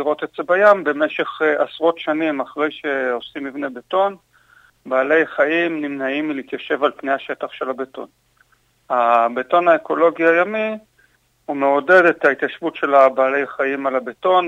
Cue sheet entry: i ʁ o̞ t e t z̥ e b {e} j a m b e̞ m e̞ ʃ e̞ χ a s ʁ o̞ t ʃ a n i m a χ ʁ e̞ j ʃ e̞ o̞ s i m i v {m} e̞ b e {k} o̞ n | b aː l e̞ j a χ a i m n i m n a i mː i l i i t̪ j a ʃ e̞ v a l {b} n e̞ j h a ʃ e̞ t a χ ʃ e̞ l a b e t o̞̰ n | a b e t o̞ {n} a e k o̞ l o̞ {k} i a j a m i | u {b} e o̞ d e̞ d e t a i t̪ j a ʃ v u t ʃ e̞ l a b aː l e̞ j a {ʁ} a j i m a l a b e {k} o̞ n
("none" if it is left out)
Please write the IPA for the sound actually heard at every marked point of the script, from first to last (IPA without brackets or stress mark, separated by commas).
a, n, t, p, n, ɡ, m, χ, t